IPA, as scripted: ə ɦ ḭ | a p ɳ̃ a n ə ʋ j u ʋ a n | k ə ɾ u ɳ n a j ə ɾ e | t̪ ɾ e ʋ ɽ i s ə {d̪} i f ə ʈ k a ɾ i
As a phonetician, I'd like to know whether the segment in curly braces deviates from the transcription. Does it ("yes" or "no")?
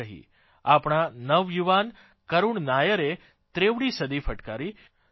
no